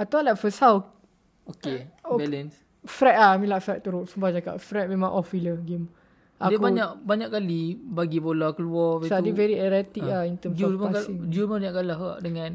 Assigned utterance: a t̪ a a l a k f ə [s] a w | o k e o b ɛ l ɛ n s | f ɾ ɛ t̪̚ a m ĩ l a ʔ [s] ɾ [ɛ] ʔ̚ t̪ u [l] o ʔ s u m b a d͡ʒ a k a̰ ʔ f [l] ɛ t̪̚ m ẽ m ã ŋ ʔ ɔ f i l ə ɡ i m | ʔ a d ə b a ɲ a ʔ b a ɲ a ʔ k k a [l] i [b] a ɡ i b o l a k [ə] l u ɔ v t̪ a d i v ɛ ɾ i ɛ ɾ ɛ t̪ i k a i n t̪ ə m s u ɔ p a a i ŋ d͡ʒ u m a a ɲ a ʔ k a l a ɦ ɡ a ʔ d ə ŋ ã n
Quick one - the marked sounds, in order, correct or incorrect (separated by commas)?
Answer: correct, incorrect, correct, incorrect, incorrect, correct, correct, correct